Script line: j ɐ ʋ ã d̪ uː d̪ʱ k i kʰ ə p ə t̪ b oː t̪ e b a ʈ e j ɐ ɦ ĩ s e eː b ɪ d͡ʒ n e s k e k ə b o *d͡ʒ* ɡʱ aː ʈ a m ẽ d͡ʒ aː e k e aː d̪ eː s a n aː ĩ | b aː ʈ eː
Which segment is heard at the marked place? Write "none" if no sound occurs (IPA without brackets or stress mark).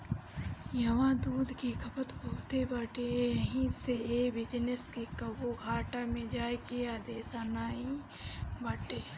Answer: none